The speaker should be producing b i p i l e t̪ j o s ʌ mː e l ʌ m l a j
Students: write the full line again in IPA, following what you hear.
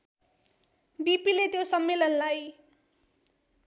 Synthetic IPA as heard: b i p i l e t̪ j o s ʌ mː e l ʌ n l a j